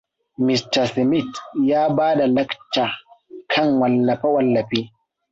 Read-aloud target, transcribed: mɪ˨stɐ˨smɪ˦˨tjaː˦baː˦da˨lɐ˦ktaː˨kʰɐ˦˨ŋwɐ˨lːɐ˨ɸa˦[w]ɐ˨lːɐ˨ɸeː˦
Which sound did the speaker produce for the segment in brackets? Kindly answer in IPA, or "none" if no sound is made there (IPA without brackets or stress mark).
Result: w